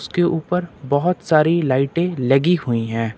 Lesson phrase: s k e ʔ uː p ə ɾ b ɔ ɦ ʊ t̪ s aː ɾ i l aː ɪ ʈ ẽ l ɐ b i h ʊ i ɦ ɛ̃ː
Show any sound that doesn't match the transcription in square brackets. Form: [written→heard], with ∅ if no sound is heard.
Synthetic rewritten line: s k e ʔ uː p ə ɾ b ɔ ɦ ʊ t̪ s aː ɾ i l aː ɪ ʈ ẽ l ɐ [b→ɡ] i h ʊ i ɦ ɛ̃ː